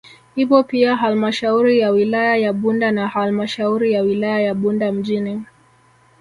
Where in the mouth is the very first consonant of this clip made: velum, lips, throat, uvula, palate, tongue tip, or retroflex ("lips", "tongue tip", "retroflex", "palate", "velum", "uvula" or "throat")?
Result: throat